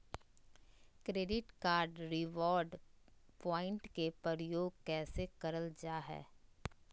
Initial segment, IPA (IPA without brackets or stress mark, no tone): k